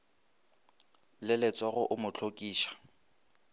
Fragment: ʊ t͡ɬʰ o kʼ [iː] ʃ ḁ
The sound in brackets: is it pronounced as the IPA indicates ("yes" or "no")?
yes